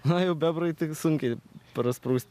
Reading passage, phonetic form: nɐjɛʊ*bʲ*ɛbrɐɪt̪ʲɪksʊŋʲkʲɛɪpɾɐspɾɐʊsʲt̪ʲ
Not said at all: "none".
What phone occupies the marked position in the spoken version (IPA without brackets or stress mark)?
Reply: bʲ